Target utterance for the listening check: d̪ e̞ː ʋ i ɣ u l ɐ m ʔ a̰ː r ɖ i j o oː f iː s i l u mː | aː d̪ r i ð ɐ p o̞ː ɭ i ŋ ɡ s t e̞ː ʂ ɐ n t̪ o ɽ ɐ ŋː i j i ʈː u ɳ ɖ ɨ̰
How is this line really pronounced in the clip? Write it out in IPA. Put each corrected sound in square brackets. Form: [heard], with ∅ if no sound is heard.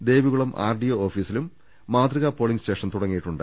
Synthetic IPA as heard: d̪ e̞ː ʋ i ɣ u [ɭ] ɐ m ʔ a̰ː r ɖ i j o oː f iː s i l u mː | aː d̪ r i [ɣ] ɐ p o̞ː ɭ i ŋ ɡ s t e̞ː ʂ ɐ n t̪ [u] ɽ ɐ ŋː i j i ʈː u ɳ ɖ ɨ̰

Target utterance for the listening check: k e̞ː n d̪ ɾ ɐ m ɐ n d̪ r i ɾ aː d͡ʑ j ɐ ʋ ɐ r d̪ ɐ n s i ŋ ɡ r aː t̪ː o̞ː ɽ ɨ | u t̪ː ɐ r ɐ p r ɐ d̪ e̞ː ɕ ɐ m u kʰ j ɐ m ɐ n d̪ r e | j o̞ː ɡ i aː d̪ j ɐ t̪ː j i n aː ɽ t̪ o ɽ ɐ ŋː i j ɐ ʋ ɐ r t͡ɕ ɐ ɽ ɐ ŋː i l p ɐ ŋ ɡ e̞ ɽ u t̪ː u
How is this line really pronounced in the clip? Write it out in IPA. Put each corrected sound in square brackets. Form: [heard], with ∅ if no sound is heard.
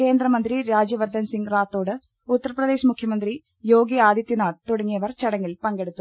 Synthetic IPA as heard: k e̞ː n d̪ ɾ ɐ m ɐ n d̪ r i ɾ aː d͡ʑ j ɐ ʋ ɐ r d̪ ɐ n s i ŋ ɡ r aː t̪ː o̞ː ɽ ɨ | u t̪ː ɐ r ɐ p r ɐ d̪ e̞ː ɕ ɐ m u kʰ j ɐ m ɐ n d̪ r [i] | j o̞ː ɡ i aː d̪ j ɐ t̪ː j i n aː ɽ t̪ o ɽ ɐ ŋː i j ɐ ʋ ɐ r t͡ɕ ɐ ɽ ɐ ŋː i l p ɐ ŋ ɡ e̞ ɽ u t̪ː u

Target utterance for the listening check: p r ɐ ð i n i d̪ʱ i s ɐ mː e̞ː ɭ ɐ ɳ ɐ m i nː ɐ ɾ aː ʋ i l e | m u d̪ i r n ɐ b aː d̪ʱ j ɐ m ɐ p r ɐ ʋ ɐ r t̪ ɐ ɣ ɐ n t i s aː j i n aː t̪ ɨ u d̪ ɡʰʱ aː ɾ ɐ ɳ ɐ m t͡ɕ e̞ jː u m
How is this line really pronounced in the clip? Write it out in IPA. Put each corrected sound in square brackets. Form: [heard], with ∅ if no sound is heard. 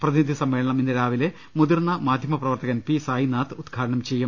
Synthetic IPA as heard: p r ɐ ð i n i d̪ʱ i s ɐ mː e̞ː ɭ ɐ ɳ ɐ m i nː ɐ ɾ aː ʋ i l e | m u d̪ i r n ɐ [m] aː d̪ʱ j ɐ m ɐ p r ɐ ʋ ɐ r t̪ ɐ ɣ ɐ n [p] i s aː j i n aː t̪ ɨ u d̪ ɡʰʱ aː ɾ ɐ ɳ ɐ m t͡ɕ e̞ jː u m

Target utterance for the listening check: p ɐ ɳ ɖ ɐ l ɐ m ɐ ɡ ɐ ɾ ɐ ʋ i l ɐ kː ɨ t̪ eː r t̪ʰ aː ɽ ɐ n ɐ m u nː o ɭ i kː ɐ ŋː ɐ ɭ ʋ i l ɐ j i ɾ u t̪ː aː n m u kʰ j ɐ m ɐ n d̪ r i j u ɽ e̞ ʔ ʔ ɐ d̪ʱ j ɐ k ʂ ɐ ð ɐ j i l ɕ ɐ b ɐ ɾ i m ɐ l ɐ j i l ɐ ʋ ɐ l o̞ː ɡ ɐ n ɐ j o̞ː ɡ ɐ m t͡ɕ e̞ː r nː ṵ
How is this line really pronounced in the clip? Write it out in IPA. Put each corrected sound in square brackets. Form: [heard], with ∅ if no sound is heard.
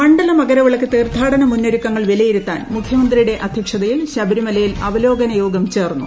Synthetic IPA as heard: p ɐ ɳ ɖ ɐ l ɐ m ɐ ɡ ɐ ɾ ɐ ʋ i [ɭ] ɐ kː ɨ t̪ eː r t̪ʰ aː ɽ ɐ n ɐ m u nː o [ɾ] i kː ɐ ŋː ɐ ɭ ʋ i l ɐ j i ɾ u t̪ː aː n m u kʰ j ɐ m ɐ n d̪ r i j u ɽ e̞ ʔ ʔ ɐ d̪ʱ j ɐ k ʂ ɐ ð ɐ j i l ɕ ɐ b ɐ ɾ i m ɐ l ɐ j i l ɐ ʋ ɐ l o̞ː ɡ ɐ n ɐ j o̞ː ɡ ɐ m t͡ɕ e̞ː r nː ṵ

